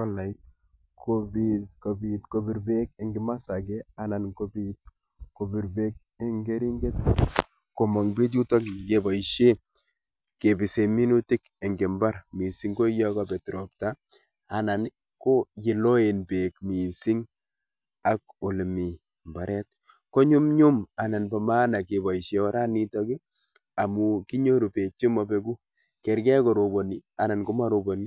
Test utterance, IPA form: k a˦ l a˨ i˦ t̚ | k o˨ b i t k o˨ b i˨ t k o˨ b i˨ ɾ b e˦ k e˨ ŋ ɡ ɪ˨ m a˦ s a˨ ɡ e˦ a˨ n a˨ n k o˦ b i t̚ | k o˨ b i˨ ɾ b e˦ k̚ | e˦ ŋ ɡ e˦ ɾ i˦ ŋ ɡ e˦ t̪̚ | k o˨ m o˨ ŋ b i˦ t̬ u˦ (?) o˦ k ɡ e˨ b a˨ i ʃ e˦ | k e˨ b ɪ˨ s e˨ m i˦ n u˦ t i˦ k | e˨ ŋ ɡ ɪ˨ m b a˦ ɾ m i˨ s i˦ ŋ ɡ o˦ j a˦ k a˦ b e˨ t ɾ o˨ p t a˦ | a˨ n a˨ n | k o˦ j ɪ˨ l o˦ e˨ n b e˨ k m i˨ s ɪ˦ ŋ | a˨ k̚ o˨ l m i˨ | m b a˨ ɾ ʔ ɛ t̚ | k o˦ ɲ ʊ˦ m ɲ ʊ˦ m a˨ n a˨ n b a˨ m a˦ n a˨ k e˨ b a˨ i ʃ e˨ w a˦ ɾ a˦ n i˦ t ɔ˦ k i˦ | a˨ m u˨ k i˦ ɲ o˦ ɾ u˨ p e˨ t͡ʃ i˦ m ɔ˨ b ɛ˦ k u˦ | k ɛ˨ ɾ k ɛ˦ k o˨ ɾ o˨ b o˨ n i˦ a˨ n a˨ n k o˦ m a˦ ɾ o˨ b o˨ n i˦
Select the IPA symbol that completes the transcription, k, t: t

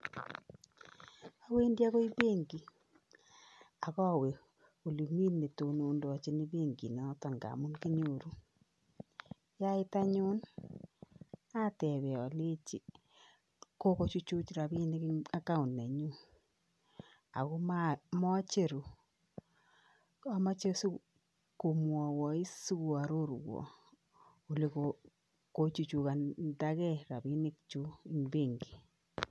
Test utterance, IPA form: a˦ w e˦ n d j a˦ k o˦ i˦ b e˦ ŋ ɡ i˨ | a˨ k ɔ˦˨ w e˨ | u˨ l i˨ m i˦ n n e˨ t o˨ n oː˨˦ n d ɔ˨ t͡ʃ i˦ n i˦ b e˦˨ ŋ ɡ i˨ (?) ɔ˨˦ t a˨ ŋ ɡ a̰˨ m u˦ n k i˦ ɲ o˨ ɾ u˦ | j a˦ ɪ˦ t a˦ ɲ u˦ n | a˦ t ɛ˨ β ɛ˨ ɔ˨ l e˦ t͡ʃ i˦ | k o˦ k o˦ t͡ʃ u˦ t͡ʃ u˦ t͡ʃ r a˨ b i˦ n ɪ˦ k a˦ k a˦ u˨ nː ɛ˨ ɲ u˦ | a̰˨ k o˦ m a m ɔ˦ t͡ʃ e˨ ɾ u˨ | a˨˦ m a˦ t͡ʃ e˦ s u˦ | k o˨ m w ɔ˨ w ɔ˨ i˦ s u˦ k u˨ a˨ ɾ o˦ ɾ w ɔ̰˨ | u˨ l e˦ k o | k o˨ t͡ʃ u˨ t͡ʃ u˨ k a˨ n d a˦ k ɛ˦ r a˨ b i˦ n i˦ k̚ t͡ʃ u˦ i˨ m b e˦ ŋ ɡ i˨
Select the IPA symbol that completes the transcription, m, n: n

